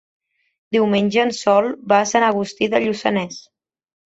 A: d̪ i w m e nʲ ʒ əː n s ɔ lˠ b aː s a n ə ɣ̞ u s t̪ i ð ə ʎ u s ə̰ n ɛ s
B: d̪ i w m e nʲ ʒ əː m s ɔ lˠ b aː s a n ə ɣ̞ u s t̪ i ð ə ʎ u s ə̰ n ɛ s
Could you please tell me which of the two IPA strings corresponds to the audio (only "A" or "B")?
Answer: A